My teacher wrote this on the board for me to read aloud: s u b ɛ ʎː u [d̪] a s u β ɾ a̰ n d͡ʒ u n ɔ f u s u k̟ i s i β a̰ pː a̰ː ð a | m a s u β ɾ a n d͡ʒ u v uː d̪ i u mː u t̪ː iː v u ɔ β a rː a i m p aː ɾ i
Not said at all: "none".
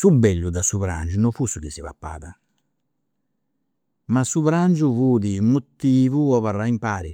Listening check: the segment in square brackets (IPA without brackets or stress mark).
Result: d̪